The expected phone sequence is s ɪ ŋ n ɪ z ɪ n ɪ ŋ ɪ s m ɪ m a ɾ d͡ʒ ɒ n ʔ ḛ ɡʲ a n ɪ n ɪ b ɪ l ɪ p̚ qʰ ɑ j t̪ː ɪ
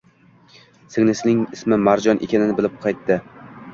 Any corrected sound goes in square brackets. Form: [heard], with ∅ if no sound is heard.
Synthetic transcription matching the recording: s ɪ ŋ n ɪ [s] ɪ n ɪ ŋ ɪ s m ɪ m a ɾ d͡ʒ ɒ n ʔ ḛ [kʲ] a n ɪ n ɪ b ɪ l ɪ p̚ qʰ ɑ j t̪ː ɪ